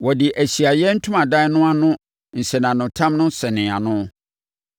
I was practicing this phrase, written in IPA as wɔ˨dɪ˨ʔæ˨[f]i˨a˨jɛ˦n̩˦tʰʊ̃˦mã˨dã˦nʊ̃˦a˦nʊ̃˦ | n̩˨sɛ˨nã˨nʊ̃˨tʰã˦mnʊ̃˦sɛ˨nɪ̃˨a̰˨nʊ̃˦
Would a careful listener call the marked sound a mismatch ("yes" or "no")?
yes